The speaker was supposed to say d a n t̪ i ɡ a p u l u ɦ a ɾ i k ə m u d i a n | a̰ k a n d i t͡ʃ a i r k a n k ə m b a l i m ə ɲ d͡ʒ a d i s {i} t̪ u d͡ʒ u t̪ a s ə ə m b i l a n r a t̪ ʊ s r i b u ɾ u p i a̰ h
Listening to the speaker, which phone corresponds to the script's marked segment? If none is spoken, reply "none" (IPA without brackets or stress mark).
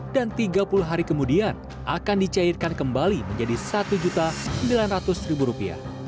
a